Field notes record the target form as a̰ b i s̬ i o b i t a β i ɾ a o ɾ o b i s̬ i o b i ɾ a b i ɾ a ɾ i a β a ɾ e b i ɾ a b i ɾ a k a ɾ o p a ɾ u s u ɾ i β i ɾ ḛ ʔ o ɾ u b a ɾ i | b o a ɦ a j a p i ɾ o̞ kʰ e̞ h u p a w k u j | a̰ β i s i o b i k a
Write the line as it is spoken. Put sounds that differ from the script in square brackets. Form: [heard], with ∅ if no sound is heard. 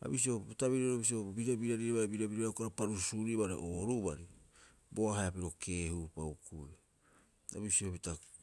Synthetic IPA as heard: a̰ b i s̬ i o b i t a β i ɾ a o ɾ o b i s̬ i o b i ɾ a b i ɾ a ɾ i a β a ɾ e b i ɾ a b i ɾ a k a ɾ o p a ɾ u s u ɾ i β [a] ɾ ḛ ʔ o ɾ u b a ɾ i | b o a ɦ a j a p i ɾ o̞ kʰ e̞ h u p a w k u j | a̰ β i s i o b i [t] a